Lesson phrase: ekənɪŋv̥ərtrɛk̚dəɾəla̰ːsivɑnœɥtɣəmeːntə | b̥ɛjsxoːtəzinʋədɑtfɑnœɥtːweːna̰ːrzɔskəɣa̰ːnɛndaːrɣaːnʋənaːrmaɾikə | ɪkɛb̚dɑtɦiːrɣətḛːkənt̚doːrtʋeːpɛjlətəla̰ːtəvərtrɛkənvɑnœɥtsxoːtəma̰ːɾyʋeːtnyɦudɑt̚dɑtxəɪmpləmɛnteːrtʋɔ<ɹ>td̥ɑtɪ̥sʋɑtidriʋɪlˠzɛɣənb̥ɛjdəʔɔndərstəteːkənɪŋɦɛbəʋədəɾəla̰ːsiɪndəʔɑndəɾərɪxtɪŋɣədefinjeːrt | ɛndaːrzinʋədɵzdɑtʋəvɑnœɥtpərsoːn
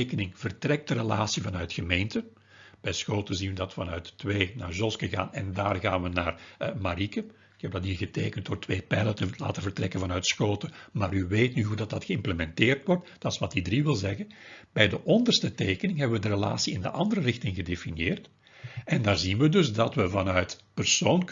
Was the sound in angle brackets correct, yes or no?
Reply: no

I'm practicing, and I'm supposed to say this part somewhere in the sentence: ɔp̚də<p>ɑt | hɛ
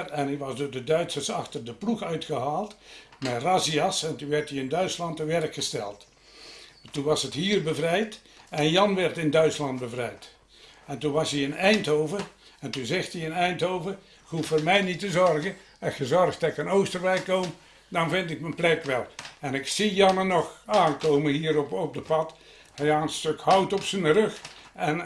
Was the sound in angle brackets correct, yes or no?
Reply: yes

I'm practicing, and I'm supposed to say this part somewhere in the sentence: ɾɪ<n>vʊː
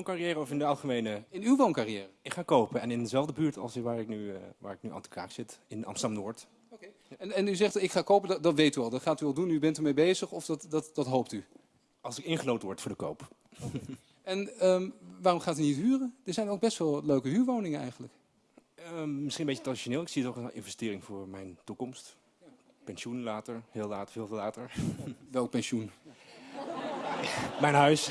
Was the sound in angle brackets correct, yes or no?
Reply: no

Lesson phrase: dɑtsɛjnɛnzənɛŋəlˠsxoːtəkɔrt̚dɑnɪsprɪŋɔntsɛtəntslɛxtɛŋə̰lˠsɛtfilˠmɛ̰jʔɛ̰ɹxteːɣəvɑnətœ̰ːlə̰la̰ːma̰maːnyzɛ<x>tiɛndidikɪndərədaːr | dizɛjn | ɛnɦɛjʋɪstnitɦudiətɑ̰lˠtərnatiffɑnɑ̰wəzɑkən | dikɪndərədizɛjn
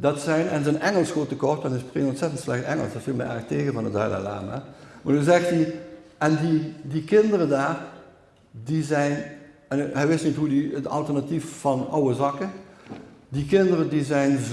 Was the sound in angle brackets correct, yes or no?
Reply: yes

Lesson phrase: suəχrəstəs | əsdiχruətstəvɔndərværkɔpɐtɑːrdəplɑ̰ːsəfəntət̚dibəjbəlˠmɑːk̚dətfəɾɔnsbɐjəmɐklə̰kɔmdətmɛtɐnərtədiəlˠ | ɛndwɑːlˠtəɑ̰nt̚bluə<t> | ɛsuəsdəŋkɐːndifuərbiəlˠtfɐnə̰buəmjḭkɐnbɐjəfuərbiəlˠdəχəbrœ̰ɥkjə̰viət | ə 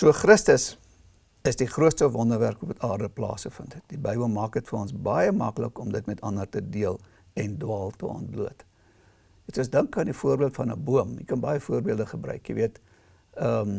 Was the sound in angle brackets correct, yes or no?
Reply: yes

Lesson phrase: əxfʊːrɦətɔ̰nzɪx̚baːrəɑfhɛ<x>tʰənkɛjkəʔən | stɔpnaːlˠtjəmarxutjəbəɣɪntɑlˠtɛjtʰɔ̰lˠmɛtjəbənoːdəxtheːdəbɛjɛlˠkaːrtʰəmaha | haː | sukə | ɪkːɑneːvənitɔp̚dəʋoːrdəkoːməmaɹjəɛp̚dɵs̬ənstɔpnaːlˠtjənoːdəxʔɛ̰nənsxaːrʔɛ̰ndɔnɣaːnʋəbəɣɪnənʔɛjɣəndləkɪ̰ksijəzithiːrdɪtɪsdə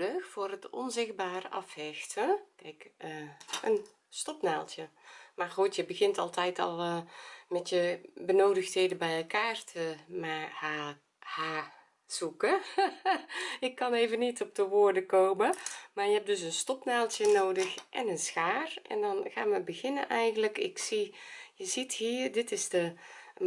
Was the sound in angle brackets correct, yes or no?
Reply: yes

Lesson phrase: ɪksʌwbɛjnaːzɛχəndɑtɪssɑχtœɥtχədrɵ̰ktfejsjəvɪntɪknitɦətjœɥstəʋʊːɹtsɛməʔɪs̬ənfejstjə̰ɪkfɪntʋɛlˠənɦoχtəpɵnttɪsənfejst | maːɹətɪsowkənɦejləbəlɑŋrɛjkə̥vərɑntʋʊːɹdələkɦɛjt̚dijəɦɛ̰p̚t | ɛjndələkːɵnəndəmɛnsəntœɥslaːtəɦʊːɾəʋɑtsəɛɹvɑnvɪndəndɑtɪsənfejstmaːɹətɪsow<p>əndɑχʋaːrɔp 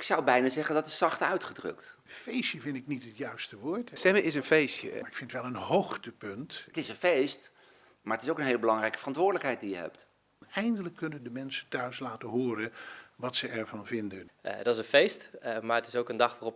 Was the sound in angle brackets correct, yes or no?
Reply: no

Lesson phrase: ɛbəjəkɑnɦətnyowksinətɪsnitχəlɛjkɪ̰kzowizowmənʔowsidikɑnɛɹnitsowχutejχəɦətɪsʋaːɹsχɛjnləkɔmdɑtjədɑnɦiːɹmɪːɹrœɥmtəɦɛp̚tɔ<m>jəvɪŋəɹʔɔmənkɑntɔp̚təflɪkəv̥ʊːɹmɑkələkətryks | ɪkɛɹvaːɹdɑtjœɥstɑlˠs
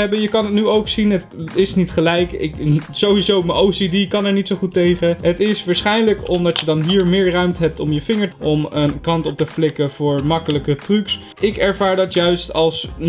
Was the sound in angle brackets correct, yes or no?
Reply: yes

